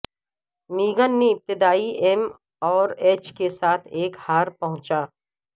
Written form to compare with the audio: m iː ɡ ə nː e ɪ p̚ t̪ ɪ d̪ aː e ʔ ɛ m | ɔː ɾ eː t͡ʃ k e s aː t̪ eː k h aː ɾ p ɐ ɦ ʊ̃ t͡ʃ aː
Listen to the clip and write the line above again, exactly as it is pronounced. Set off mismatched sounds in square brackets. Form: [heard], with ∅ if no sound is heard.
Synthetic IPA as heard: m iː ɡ ə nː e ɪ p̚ t̪ ɪ d̪ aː [i] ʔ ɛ m | ɔː ɾ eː t͡ʃ k e s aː [t̪ʰ] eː k h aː ɾ p ɐ ɦ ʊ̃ t͡ʃ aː